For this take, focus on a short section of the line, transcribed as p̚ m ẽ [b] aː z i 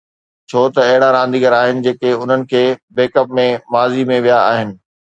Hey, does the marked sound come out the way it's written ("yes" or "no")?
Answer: no